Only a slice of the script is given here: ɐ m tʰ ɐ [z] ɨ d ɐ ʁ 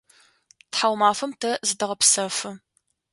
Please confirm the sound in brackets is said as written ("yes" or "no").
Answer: yes